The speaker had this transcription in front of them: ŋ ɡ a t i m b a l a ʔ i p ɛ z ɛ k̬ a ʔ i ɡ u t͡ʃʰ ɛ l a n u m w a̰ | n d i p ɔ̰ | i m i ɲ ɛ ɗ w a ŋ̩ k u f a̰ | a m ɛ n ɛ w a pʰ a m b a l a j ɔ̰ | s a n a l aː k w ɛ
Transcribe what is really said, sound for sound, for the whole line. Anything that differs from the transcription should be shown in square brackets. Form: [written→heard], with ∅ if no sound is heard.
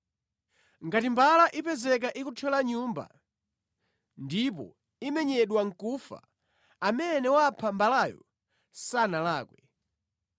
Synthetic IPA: ŋ ɡ a t i m b a l a ʔ i p ɛ z ɛ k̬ a ʔ i [ɡ→k] u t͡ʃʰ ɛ l a [n→ɲ] u m [w→b] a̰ | n d i p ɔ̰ | i m [i→ɛ] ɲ ɛ ɗ w a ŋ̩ k u f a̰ | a m ɛ n ɛ w a pʰ a m b a l a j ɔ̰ | s a n a l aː k w ɛ